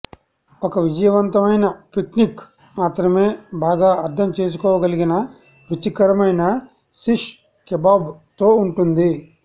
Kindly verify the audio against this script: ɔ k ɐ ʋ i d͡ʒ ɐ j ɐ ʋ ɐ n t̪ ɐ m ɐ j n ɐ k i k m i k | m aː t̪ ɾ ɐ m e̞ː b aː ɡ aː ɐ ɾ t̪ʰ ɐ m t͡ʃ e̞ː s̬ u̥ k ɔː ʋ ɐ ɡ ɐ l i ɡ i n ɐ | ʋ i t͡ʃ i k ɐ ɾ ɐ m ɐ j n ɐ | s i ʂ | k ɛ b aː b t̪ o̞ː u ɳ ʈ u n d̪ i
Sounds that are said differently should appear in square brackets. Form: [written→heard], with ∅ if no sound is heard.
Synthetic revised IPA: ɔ k ɐ ʋ i d͡ʒ ɐ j ɐ ʋ ɐ n t̪ ɐ m ɐ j n ɐ [k→p] i k [m→n] i k | m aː t̪ ɾ ɐ m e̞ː b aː ɡ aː ɐ ɾ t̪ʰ ɐ m t͡ʃ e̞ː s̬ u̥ k ɔː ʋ ɐ ɡ ɐ l i ɡ i n ɐ | ʋ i t͡ʃ i k ɐ ɾ ɐ m ɐ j n ɐ | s i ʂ | k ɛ b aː b t̪ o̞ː u ɳ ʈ u n d̪ i